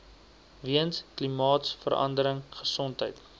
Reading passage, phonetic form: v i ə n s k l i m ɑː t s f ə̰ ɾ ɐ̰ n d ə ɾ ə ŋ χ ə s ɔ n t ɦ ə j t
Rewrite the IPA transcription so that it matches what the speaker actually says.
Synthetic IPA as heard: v i ə n s k l i m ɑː t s f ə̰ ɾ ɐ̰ n d ə ɾ ə ŋ χ ə s ɔ n t ɦ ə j t